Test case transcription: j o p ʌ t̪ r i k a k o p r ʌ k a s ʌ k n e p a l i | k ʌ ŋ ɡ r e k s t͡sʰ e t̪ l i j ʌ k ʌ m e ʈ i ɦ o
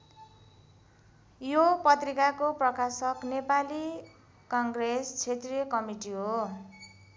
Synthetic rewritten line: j o p ʌ t̪ r i k a k o p r ʌ k a s ʌ k n e p a l i | k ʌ ŋ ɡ r e s t͡sʰ e t̪ r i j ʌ k ʌ m i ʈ i ɦ o